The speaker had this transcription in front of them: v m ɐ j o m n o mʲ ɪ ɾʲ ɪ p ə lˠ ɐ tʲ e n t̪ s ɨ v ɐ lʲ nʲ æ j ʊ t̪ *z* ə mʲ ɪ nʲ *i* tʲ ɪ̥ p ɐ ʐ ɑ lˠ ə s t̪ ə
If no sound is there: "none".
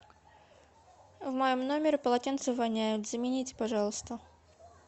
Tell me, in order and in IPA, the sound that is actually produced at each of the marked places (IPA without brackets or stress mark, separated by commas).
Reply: z, i